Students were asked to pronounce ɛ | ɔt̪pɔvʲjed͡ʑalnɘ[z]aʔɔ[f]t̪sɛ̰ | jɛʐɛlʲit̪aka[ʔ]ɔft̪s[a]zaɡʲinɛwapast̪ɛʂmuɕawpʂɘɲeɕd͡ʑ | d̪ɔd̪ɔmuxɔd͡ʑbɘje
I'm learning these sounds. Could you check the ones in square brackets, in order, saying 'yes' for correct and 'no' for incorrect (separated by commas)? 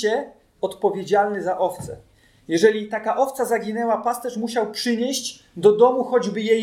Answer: yes, yes, yes, yes